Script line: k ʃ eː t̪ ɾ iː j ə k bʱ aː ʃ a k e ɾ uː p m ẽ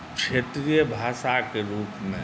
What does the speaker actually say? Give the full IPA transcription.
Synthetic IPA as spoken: k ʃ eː t̪ ɾ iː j ə bʱ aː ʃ a k e ɾ uː p m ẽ

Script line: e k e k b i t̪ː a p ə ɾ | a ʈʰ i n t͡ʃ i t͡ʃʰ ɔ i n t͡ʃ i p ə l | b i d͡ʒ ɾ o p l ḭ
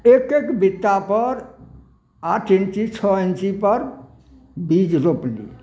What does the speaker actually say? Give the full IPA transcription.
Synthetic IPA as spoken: e k e k b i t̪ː a p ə ɾ | a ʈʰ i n t͡ʃ i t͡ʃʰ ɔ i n t͡ʃ i p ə ɾ | b i d͡ʒ ɾ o p l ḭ

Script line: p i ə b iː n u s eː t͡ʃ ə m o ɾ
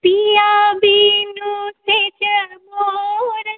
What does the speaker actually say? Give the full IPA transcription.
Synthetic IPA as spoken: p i a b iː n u s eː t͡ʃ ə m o ɾ

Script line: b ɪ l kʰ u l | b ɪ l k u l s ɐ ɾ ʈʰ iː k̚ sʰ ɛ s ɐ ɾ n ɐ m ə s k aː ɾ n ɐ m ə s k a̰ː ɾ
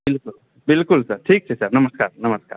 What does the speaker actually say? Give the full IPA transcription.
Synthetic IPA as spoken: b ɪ l k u l | b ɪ l k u l s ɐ ɾ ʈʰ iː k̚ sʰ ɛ s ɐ ɾ n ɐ m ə s k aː ɾ n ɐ m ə s k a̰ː ɾ

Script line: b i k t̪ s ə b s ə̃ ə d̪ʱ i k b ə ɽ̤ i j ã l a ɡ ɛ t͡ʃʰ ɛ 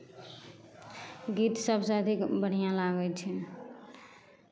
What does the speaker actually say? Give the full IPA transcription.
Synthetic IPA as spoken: ɡ i t̪ s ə b s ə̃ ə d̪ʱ i k b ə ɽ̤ i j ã l a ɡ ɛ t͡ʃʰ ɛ

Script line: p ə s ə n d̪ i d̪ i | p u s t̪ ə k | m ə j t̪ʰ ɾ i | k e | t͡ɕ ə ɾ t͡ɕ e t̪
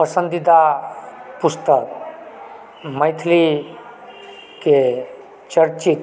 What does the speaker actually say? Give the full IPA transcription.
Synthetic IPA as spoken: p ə s ə n d̪ i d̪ a | p u s t̪ ə k | m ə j t̪ʰ l i | k e | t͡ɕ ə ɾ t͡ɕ i t̪

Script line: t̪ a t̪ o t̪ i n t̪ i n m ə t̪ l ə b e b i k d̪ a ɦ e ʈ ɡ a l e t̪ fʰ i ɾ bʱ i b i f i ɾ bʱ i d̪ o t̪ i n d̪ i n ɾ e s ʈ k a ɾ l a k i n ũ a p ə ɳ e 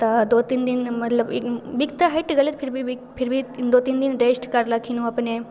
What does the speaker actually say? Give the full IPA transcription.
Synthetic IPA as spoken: t̪ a d̪ o t̪ i n d̪ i n m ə t̪ l ə b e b i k t̪ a ɦ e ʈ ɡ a l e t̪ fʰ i ɾ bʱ i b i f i ɾ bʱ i d̪ o t̪ i n d̪ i n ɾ e s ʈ k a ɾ l a k i n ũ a p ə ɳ e

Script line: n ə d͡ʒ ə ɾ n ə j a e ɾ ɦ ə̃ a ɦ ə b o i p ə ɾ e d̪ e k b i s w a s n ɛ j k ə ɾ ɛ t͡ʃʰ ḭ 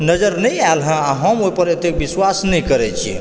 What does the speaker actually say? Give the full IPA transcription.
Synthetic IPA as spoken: n ə d͡ʒ ə ɾ n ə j a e l ɦ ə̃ a ɦ ə m o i p ə ɾ e t̪ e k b i s w a s n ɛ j k ə ɾ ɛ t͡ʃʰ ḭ

